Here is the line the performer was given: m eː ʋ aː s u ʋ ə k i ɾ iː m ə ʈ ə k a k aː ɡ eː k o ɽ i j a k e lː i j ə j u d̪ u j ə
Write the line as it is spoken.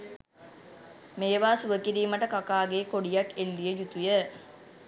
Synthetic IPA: m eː ʋ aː s u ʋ ə k i ɾ iː m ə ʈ ə k a k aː ɡ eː k o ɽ i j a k e lː i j ə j u t̪ u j ə